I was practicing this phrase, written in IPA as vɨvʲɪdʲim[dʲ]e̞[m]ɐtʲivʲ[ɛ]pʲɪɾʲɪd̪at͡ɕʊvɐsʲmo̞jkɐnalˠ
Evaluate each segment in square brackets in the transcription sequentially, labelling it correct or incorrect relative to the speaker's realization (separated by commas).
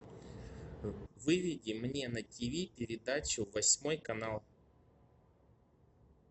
incorrect, incorrect, incorrect